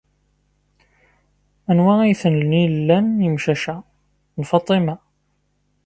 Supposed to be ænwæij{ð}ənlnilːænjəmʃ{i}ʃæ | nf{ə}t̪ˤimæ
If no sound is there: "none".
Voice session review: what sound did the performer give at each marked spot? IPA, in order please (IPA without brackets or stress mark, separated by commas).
θ, æ, ɑ